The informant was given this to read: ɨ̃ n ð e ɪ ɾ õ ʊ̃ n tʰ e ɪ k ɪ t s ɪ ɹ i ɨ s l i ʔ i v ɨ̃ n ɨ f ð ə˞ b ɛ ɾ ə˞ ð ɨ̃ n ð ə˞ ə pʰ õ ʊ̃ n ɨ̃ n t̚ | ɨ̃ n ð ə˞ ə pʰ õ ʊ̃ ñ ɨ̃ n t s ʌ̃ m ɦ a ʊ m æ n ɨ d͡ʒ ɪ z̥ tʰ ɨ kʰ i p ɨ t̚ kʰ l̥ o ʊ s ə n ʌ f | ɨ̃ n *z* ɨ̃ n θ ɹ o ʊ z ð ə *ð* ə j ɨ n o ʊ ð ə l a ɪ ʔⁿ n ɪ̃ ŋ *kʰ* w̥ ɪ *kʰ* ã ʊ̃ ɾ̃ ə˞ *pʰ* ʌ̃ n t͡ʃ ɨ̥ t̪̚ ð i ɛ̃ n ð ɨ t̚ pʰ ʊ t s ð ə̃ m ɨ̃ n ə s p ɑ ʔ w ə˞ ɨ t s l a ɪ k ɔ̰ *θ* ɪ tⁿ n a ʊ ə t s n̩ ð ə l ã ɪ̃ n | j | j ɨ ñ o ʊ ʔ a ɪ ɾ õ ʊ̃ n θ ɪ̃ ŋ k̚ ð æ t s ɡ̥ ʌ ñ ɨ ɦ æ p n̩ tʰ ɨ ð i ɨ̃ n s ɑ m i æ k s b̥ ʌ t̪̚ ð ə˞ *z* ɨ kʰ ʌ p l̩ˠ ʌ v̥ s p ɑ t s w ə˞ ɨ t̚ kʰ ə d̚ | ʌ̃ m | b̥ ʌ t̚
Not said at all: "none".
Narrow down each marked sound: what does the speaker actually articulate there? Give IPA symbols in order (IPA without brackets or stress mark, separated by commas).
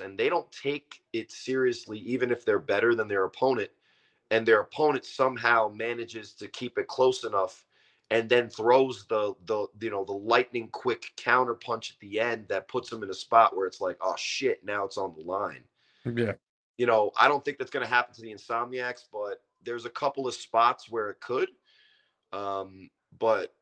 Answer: ð, ð, kʰ, kʰ, pʰ, ʃ, z